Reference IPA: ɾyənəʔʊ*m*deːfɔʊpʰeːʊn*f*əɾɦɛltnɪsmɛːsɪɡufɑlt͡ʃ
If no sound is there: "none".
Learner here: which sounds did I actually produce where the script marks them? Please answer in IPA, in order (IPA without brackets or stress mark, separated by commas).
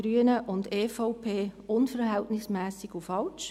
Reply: n, f